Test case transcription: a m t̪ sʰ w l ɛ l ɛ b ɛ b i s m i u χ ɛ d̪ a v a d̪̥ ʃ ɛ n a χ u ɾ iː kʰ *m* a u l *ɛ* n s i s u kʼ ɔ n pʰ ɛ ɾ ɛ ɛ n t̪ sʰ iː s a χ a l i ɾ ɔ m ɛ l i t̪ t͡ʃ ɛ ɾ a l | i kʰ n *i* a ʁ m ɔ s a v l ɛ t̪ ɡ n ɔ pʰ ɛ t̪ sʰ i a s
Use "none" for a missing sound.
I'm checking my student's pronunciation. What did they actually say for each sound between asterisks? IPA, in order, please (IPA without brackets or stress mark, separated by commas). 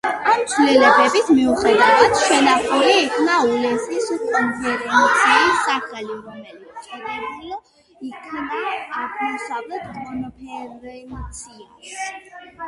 n, ɛ, a